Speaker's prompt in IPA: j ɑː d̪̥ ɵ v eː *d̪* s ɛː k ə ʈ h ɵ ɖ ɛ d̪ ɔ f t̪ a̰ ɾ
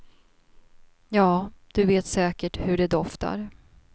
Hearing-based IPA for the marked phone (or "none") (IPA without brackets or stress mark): t̪